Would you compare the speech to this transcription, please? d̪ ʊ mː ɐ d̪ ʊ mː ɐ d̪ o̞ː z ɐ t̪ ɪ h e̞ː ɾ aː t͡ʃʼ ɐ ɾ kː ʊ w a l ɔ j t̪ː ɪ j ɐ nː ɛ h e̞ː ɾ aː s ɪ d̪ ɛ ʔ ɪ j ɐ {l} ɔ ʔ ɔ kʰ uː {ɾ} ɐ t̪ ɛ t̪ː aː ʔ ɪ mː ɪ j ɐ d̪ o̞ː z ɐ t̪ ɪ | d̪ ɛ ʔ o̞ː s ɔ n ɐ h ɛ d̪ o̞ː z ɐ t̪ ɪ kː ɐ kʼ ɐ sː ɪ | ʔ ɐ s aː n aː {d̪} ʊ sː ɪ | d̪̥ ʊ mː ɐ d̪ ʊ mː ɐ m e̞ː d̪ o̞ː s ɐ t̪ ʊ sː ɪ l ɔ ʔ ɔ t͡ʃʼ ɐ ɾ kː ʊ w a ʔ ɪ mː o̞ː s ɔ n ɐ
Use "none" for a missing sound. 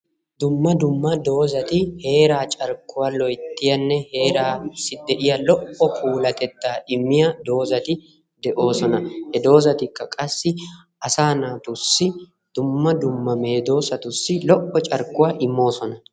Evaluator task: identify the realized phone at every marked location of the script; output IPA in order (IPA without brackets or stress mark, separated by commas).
l, l, t̪